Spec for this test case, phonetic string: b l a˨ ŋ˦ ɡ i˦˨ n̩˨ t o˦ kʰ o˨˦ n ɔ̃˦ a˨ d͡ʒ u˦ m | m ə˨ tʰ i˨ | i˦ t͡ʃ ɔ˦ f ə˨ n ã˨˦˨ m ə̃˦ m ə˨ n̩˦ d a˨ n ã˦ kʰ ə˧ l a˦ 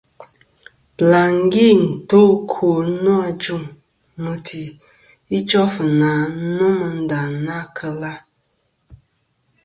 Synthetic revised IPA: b l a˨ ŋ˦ ɡ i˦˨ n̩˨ t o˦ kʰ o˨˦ n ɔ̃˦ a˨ d͡ʒ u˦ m | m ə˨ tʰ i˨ | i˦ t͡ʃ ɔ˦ f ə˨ n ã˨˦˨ n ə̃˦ m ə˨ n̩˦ d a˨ n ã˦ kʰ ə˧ l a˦

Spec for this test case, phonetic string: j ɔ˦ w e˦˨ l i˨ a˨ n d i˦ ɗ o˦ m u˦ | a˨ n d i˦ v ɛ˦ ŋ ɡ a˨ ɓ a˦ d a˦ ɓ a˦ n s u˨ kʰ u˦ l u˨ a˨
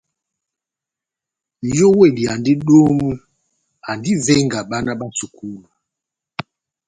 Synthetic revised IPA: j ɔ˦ w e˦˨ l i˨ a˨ n d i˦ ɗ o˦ m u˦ | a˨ n d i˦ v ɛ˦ ŋ ɡ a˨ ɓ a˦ n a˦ ɓ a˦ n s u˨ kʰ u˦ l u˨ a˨

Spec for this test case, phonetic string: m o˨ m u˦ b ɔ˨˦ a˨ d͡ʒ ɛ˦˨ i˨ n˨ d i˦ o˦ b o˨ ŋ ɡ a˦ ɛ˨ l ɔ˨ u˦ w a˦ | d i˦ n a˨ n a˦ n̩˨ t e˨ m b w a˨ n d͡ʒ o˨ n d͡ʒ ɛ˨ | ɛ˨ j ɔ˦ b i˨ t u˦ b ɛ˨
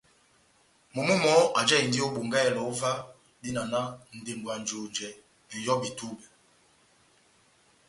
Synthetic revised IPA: m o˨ m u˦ m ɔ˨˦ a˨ d͡ʒ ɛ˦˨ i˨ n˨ d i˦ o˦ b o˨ ŋ ɡ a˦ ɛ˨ l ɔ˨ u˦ v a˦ | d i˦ n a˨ n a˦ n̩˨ d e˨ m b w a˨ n d͡ʒ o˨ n d͡ʒ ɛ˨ | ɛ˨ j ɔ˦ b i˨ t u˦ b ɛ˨

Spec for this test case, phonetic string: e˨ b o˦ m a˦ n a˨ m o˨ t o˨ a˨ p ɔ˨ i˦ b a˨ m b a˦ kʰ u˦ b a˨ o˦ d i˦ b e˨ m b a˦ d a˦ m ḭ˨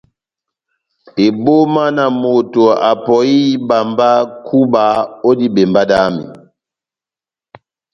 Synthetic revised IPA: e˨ b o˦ m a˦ n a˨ m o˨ t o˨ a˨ p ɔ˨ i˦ b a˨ m b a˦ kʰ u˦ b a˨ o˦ d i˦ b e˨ m b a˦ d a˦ m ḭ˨

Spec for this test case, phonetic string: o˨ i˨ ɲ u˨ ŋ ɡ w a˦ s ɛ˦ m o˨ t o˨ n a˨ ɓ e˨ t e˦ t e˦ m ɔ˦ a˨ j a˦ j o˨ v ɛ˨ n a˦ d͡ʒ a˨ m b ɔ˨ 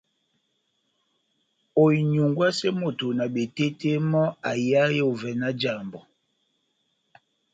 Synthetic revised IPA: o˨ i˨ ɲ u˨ ŋ ɡ w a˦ s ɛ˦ m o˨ t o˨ n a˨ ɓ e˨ t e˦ t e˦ m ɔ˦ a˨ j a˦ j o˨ v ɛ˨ n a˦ d͡ʒ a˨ m b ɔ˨

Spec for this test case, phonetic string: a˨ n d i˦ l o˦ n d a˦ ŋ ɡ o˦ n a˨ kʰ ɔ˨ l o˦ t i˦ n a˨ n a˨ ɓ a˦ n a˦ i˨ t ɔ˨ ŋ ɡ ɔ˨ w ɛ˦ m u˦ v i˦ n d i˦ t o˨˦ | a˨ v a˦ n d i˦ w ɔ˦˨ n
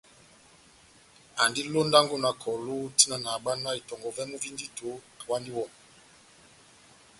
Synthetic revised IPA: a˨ n d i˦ l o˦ n d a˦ ŋ ɡ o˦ n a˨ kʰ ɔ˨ l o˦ t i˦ n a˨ n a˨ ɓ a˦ n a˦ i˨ t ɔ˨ ŋ ɡ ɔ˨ v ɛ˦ m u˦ v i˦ n d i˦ t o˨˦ | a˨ w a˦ n d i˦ w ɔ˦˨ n

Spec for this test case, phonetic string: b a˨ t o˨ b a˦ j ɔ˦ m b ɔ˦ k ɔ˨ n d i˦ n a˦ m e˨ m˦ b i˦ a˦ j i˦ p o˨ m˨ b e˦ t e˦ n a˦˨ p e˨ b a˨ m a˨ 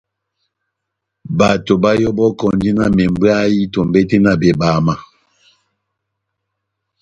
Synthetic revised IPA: b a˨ t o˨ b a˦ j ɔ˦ b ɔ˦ k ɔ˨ n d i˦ n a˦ m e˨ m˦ b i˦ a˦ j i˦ t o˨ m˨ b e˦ t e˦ n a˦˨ b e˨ b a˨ m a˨

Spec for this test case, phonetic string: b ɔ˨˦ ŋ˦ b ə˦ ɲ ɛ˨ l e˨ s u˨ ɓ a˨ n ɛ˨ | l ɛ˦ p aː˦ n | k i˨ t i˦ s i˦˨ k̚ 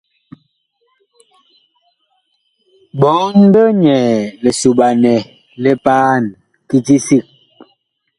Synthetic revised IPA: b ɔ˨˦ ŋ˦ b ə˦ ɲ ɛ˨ l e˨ s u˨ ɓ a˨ n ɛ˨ | l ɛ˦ p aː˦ n | k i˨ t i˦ s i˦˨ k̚

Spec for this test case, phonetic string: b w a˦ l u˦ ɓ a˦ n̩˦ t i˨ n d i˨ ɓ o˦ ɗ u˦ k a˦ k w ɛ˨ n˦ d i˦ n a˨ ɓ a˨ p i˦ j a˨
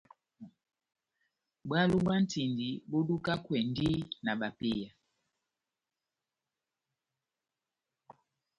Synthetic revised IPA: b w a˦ l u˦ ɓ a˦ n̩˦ t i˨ n d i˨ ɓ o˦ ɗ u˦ k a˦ k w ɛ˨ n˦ d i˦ n a˨ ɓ a˨ p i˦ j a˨

